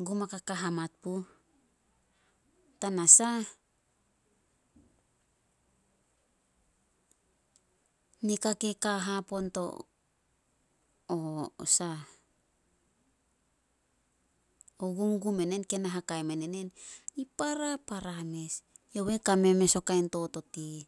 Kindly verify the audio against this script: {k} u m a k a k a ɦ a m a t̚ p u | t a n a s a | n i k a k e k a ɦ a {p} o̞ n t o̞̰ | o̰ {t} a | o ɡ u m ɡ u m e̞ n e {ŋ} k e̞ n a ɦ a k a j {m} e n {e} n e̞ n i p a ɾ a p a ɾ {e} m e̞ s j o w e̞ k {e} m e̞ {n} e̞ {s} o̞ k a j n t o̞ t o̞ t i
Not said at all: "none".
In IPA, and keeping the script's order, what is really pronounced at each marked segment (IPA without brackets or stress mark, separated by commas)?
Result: ɡ, p, s, n, m, e, a, a, m, s